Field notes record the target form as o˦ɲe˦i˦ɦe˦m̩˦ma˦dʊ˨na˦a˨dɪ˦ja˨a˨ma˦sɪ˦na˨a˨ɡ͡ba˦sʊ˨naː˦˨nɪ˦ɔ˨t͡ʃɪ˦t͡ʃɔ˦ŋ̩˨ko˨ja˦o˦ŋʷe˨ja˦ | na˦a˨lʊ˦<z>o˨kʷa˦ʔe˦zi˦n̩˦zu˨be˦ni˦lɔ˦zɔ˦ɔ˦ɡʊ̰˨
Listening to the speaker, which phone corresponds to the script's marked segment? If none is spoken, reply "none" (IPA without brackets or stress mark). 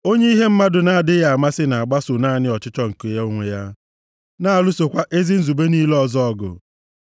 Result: s